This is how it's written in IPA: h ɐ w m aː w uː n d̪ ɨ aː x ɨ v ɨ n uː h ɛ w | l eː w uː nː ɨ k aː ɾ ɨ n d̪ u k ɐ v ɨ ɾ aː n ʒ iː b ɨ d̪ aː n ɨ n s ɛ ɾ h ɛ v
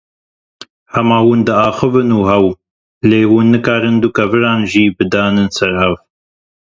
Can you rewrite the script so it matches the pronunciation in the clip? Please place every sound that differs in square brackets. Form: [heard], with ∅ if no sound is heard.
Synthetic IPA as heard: h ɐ [∅] m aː w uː n d̪ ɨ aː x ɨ v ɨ n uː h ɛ w | l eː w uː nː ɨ k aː ɾ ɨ n d̪ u k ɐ v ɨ ɾ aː n ʒ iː b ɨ d̪ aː n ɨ n s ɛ ɾ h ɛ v